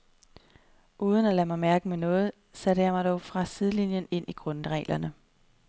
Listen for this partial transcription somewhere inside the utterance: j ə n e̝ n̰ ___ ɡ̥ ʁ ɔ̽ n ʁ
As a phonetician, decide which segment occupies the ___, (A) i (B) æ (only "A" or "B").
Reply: A